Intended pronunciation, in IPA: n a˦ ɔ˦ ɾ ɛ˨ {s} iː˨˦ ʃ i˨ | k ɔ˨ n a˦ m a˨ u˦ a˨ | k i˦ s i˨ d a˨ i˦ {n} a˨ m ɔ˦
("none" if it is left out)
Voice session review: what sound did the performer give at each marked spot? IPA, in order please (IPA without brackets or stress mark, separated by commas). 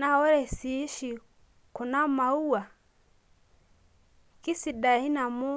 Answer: s, n